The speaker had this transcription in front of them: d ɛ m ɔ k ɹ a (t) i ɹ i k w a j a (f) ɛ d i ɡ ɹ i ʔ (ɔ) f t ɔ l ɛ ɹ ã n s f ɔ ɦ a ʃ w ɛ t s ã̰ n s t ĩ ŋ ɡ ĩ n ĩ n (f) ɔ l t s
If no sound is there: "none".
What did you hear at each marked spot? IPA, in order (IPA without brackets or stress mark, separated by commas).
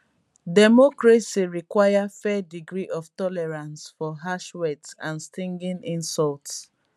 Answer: s, f, ɔ, s